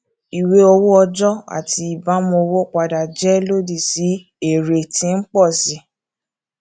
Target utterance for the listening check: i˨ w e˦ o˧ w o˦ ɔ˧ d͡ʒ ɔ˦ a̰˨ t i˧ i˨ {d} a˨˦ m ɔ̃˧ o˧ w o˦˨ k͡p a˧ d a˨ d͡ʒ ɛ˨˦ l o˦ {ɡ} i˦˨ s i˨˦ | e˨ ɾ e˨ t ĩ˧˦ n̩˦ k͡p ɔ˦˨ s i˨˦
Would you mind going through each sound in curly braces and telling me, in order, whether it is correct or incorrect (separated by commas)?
incorrect, incorrect